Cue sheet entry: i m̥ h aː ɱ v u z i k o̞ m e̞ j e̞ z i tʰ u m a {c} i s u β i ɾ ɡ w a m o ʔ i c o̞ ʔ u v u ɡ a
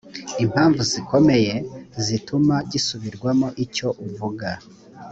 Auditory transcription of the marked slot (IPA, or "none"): ɟ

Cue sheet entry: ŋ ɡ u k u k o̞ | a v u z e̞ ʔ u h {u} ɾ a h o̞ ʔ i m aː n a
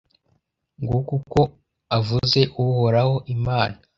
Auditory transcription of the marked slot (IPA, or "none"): o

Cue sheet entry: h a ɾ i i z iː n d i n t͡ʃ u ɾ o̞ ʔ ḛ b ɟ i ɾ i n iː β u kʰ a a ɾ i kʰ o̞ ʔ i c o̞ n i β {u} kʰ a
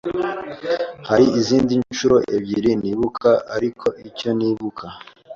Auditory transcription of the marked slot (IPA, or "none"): u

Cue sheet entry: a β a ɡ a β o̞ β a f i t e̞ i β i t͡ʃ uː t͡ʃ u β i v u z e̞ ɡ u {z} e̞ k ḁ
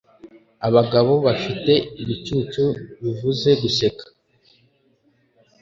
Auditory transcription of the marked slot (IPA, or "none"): s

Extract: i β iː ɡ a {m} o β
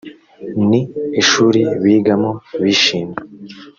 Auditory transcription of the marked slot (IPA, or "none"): m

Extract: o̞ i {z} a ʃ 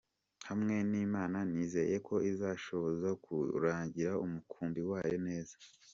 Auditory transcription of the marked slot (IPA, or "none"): z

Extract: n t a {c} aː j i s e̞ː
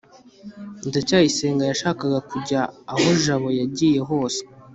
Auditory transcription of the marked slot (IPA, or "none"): c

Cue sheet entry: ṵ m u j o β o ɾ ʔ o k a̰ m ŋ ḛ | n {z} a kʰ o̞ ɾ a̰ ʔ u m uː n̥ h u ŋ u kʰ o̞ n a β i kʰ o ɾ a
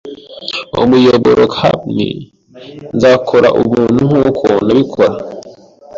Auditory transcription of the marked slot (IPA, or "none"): z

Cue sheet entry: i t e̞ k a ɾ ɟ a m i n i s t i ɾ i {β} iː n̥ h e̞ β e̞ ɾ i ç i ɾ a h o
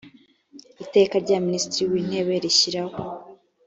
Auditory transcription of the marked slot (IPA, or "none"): w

